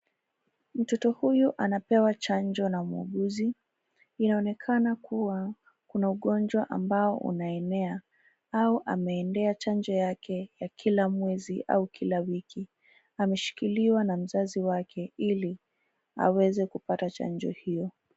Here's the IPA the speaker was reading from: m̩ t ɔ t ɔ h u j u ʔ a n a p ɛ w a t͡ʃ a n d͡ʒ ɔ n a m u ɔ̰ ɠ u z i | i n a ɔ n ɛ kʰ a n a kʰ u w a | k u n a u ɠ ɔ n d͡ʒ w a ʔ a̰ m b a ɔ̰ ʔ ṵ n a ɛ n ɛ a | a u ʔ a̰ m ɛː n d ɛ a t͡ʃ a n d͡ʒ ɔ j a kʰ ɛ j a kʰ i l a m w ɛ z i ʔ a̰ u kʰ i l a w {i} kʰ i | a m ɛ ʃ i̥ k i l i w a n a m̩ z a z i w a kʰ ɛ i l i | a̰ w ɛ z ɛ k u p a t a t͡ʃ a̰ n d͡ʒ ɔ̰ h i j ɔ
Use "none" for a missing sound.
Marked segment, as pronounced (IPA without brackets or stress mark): i